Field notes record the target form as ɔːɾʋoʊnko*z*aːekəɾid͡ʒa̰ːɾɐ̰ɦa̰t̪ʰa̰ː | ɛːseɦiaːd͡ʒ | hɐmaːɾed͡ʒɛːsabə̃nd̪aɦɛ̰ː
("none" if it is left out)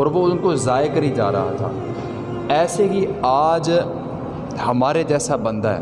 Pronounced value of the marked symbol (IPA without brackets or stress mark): z